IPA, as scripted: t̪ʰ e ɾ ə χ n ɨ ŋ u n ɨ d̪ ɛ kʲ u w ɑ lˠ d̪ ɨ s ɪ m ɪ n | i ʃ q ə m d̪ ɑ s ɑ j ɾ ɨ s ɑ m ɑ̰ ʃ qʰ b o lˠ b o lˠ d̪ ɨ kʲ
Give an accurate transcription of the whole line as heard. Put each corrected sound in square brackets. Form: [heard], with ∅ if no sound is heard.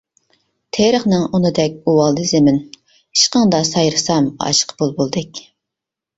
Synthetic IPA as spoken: t̪ʰ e ɾ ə χ n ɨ ŋ u n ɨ d̪ ɛ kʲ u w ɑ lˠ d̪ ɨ [z] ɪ m ɪ n | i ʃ q ə [ŋ] d̪ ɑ s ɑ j ɾ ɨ s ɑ m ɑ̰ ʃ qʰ b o lˠ b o lˠ d̪ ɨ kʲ